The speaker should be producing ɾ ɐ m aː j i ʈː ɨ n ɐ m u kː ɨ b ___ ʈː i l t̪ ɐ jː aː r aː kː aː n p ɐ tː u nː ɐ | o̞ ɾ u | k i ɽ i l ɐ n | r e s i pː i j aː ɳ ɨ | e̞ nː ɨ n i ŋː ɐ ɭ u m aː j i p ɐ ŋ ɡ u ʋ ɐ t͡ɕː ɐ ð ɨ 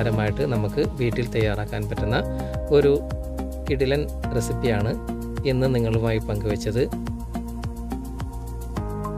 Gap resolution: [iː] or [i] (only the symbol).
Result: iː